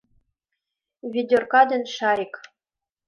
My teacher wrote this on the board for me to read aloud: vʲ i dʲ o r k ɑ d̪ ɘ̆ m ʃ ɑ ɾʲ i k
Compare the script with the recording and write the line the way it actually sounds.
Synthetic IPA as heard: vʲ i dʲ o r k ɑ d̪ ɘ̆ n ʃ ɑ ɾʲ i k